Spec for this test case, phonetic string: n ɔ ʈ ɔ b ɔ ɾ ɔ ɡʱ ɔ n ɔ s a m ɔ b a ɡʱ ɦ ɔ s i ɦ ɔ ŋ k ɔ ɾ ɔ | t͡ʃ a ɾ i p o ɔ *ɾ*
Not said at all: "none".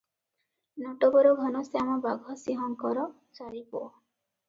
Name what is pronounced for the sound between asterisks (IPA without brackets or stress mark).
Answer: none